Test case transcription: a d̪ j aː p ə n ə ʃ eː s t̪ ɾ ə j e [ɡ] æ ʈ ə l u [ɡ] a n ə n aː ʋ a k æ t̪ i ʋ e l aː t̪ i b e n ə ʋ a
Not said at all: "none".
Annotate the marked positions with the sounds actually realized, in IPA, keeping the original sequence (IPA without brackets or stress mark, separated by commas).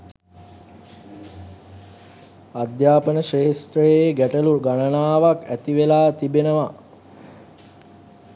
ɡ, ɡ